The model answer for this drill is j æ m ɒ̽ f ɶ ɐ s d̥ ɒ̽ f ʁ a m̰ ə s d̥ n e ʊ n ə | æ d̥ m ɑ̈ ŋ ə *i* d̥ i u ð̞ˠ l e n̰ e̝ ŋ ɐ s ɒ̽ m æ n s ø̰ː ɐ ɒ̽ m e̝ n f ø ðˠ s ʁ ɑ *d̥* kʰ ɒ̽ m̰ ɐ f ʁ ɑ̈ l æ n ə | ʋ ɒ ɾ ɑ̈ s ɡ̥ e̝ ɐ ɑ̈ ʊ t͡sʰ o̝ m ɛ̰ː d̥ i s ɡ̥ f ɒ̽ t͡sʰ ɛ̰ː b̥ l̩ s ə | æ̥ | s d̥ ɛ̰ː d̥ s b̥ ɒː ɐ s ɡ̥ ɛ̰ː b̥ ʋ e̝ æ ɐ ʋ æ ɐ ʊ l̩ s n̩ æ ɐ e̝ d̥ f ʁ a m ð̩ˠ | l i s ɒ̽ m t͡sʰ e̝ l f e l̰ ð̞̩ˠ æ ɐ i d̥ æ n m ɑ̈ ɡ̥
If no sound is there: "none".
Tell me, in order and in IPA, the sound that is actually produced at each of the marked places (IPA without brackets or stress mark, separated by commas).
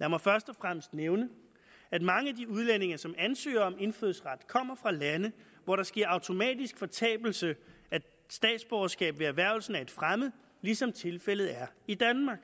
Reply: æ, d̥